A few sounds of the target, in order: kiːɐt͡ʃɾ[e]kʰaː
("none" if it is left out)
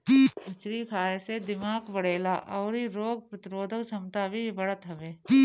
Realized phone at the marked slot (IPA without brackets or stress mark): i